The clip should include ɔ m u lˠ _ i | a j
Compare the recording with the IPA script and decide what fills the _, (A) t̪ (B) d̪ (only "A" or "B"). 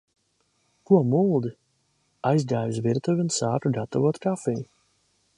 B